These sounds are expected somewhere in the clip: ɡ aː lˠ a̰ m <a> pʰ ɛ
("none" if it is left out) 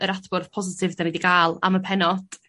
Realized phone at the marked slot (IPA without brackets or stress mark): ə